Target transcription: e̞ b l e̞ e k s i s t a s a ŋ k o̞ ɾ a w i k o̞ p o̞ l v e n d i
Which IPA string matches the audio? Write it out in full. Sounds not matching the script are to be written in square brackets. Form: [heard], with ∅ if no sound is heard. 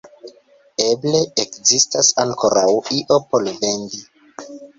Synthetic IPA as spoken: e̞ b l e̞ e k [z] i s t a s a ŋ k o̞ ɾ a w i [ʔ] o̞ p o̞ l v e n d i